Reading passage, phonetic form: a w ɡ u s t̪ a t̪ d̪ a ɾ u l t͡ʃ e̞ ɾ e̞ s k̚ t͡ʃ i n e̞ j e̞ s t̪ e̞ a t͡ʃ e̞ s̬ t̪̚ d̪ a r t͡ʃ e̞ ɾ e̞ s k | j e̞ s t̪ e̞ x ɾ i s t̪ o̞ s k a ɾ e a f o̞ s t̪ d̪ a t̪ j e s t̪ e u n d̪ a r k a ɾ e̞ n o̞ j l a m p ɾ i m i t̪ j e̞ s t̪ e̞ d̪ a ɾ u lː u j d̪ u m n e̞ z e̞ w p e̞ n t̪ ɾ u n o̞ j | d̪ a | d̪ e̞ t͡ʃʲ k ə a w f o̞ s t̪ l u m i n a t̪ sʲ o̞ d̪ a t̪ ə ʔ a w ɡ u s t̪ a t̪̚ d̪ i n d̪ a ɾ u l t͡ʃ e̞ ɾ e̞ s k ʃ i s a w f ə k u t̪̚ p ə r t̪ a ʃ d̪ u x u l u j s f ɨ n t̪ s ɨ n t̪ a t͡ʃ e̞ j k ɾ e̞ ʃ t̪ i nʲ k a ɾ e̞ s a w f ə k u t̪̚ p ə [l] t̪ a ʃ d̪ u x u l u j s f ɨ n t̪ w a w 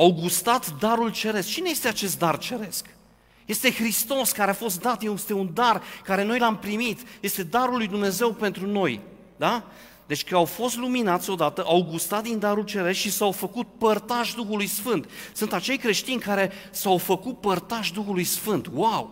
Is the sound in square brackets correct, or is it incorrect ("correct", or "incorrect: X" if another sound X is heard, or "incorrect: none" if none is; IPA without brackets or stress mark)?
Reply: incorrect: r